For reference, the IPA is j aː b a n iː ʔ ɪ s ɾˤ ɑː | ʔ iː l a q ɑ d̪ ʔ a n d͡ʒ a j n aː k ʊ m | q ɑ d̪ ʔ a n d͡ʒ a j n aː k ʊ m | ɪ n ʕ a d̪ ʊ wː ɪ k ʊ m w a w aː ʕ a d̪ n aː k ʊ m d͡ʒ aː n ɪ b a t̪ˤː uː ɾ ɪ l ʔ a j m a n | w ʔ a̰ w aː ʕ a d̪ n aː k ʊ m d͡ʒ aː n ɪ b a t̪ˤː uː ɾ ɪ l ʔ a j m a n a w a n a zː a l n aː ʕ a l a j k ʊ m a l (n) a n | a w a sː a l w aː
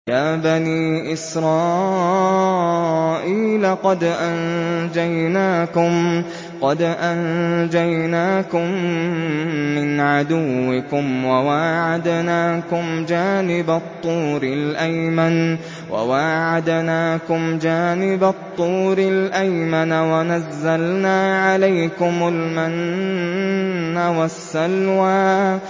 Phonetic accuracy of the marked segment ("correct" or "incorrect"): incorrect